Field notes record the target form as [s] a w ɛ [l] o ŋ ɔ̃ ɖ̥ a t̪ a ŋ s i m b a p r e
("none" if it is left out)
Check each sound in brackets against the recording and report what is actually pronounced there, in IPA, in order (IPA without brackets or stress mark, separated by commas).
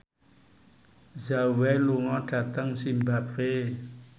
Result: z, l